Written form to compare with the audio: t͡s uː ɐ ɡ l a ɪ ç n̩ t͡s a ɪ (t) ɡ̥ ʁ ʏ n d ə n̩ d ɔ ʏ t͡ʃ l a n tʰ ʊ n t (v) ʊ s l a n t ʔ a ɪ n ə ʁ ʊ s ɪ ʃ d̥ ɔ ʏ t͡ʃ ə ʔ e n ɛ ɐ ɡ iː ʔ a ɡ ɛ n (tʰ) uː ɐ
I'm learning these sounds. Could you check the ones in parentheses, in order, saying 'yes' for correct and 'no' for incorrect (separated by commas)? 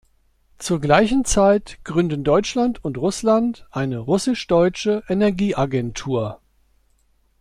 yes, no, yes